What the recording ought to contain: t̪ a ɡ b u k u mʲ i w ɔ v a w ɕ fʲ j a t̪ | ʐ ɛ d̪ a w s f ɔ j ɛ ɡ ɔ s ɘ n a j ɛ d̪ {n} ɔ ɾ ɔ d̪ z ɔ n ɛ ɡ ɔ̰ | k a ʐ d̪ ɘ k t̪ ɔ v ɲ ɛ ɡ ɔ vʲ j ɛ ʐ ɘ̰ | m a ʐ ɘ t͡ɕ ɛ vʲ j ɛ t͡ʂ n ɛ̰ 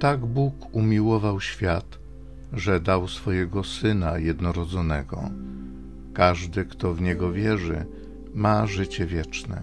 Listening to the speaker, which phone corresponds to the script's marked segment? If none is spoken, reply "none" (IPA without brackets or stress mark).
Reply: n